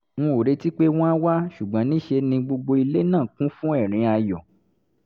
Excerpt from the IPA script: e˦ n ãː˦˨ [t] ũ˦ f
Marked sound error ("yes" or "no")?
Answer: yes